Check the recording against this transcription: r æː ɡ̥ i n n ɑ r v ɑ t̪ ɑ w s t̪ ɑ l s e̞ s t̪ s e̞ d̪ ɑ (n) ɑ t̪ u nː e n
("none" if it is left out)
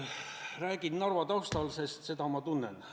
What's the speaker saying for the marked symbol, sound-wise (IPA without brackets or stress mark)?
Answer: m